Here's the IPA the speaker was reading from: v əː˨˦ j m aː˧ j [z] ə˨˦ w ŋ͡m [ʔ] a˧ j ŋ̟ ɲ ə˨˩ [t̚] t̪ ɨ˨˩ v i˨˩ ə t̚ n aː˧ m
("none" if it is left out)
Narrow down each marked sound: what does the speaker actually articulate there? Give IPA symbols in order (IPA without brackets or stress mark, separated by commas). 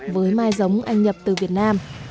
z, ʔ, p̚